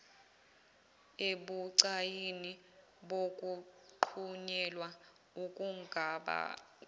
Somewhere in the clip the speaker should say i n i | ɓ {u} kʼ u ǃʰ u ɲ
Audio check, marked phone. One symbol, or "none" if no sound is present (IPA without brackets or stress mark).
o